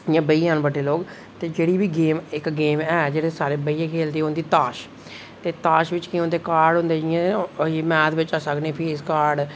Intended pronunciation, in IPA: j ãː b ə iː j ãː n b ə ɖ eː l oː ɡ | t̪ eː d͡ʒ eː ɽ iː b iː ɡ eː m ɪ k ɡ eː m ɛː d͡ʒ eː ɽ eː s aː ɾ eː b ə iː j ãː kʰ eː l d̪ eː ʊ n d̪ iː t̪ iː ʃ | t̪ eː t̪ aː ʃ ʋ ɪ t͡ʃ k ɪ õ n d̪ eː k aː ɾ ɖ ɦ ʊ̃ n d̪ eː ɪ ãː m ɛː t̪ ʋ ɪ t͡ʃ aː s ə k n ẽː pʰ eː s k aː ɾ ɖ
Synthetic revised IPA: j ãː b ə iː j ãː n b ə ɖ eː l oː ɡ | t̪ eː d͡ʒ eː ɽ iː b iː ɡ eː m ɪ k ɡ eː m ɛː d͡ʒ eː ɽ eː s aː ɾ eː b ə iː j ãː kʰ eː l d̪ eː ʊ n d̪ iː t̪ aː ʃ | t̪ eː t̪ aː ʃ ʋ ɪ t͡ʃ k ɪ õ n d̪ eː k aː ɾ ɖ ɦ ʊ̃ n d̪ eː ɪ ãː m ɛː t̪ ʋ ɪ t͡ʃ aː s ə k n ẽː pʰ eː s k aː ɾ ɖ

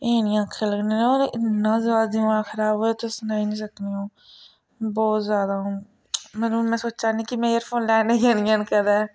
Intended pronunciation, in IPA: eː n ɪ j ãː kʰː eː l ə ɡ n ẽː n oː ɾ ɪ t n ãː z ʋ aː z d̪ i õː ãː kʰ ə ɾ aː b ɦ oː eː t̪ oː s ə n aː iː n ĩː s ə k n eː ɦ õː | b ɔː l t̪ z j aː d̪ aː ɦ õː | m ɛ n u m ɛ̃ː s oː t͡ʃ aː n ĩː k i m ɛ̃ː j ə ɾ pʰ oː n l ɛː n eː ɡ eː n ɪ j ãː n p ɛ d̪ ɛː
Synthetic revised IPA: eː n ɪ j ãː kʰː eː l ə ɡ n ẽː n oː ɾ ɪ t n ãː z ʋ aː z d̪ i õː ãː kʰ ə ɾ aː b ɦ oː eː t̪ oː s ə n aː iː n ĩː s ə k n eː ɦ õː | b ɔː t̪ z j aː d̪ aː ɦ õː | m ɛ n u m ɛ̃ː s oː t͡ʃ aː n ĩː k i m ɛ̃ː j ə ɾ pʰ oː n l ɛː n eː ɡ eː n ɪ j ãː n k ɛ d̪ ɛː

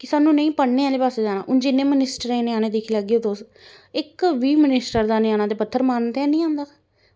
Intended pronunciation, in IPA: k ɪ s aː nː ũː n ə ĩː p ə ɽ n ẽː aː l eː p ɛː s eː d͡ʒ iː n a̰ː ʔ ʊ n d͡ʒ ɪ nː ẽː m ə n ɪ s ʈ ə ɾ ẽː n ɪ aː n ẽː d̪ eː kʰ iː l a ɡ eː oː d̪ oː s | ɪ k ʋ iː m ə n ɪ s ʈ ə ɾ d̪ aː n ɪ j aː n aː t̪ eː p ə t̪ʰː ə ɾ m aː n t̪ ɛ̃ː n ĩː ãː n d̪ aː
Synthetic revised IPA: k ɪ s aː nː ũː n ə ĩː p ə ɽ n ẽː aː l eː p aː s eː d͡ʒ aː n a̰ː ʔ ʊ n d͡ʒ ɪ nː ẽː m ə n ɪ s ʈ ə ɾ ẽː n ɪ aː n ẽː d̪ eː kʰ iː l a ɡ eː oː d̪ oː s | ɪ k ʋ iː m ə n ɪ s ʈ ə ɾ d̪ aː n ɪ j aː n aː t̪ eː p ə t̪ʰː ə ɾ m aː n t̪ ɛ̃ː n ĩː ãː n d̪ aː

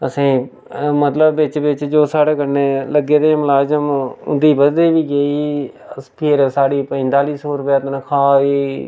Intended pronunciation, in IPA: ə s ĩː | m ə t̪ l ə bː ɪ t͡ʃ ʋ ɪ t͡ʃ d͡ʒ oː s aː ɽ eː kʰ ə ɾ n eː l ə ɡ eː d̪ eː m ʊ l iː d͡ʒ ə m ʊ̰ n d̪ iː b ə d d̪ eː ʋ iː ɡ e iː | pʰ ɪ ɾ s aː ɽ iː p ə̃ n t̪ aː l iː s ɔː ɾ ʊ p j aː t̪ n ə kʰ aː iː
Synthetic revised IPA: ə s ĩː | m ə t̪ l ə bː ɪ t͡ʃ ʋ ɪ t͡ʃ d͡ʒ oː s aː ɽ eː k ə ɾ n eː l ə ɡ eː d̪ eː m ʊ l aː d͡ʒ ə m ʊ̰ n d̪ iː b ə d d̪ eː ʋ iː ɡ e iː | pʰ ɪ ɾ s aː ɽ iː p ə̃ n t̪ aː l iː s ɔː ɾ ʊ p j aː t̪ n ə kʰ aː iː

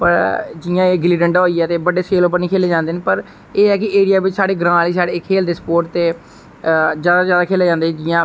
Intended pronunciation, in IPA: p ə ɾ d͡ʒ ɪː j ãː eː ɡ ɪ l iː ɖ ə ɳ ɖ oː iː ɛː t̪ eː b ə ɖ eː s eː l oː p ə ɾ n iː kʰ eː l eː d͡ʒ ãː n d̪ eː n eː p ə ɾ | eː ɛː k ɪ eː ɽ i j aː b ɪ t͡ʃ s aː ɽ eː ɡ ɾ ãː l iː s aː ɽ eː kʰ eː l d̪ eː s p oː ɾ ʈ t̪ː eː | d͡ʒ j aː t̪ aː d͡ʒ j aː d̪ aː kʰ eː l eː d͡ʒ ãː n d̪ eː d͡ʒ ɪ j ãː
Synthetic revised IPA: p ə ɾ d͡ʒ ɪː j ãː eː ɡ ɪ l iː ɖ ə ɳ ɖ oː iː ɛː t̪ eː b ə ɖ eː s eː l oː p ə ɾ n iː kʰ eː l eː d͡ʒ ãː n d̪ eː n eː p ə ɾ | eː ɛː k ɪ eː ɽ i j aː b ɪ t͡ʃ s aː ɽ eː ɡ ɾ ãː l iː s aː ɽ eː kʰ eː l d̪ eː s p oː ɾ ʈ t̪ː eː | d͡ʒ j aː d̪ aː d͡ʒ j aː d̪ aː kʰ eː l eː d͡ʒ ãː n d̪ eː d͡ʒ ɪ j ãː

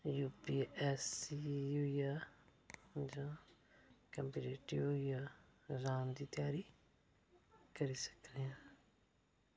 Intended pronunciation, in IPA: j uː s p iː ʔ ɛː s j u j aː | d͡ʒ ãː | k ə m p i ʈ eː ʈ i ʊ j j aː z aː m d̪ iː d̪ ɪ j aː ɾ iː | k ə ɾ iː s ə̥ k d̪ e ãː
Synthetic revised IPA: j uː p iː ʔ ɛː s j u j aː | d͡ʒ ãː | k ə m p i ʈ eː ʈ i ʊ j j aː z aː m d̪ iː t̪ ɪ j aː ɾ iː | k ə ɾ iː s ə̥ k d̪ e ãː

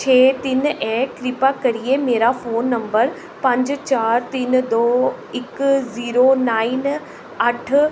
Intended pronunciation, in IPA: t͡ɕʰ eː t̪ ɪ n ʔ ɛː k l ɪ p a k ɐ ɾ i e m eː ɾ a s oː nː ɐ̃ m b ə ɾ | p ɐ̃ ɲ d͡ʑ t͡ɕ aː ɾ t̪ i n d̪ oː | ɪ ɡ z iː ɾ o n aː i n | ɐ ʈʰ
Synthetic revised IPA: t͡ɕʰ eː t̪ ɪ n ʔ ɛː k ɾ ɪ p a k ɐ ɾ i e m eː ɾ a f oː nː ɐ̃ m b ə ɾ | p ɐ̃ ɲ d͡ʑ t͡ɕ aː ɾ t̪ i n d̪ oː | ɪ k z iː ɾ o n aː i n | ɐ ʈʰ

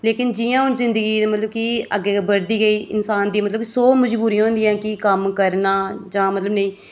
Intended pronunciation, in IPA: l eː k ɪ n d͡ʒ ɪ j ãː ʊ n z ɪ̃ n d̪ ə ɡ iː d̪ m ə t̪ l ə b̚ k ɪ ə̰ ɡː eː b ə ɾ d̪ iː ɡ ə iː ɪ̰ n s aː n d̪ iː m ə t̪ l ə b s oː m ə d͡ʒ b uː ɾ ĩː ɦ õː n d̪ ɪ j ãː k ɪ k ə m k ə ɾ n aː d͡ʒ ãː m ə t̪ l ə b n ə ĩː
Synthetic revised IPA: l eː k ɪ n d͡ʒ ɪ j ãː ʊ n z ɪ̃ n d̪ ə ɡ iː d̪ m ə t̪ l ə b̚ k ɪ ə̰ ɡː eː b ə ɾ d̪ iː ɡ ə iː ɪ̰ n s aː n d̪ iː m ə t̪ l ə b s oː m ə d͡ʒ b uː ɾ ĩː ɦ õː n d̪ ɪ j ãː k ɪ k ə m k ə ɾ n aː d͡ʒ ãː m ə t̪ l ə b n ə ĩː

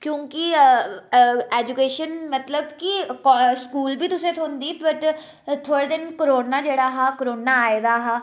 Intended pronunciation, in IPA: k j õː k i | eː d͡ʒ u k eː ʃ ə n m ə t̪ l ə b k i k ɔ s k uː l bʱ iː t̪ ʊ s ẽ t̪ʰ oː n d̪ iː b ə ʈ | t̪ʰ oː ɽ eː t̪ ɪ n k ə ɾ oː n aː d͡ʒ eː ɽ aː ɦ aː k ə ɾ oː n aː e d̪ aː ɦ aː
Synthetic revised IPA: k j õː k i | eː d͡ʒ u k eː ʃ ə n m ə t̪ l ə b k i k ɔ s k uː l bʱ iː t̪ ʊ s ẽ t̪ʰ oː n d̪ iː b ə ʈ | t̪ʰ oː ɽ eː d̪ ɪ n k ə ɾ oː n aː d͡ʒ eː ɽ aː ɦ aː k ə ɾ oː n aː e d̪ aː ɦ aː

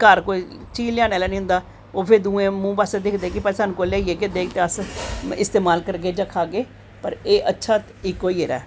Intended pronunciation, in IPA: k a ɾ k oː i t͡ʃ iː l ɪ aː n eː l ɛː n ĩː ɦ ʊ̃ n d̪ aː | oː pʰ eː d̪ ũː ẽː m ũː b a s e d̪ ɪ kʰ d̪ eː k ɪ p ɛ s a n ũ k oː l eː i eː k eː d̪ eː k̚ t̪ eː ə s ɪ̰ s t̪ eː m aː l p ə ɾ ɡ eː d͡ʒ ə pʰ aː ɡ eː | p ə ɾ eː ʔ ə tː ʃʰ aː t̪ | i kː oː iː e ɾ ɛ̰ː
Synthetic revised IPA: k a ɾ k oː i t͡ʃ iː l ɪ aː n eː l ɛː n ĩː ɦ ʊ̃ n d̪ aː | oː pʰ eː d̪ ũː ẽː m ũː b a s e d̪ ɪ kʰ d̪ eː k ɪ p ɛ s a n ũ k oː l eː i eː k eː d̪ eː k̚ t̪ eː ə s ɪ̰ s t̪ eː m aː l k ə ɾ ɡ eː d͡ʒ ə kʰ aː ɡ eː | p ə ɾ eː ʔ ə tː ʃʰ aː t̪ | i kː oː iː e ɾ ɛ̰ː

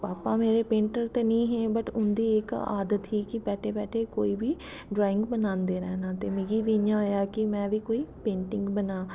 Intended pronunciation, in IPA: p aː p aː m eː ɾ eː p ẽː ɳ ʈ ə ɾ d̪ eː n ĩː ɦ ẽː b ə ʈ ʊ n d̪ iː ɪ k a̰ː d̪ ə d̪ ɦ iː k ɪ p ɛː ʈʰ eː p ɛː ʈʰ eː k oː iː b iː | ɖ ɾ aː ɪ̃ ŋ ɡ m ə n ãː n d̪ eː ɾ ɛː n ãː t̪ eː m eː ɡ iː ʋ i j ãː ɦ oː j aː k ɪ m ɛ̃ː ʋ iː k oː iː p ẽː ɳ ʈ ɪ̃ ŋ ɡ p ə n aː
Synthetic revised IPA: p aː p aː m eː ɾ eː p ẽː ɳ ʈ ə ɾ t̪ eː n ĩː ɦ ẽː b ə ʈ ʊ n d̪ iː ɪ k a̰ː d̪ ə t̪ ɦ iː k ɪ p ɛː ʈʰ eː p ɛː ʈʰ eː k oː iː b iː | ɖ ɾ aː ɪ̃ ŋ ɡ b ə n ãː n d̪ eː ɾ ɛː n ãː t̪ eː m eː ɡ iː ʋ i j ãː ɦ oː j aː k ɪ m ɛ̃ː ʋ iː k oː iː p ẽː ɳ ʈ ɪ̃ ŋ ɡ b ə n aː

